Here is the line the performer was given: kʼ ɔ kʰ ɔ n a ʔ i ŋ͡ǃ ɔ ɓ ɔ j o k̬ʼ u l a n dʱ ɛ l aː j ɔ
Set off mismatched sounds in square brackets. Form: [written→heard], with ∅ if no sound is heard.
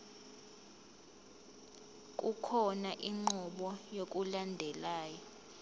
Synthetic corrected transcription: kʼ [ɔ→u] kʰ ɔ n a ʔ i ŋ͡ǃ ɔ ɓ ɔ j o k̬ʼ u l a n dʱ ɛ l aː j ɔ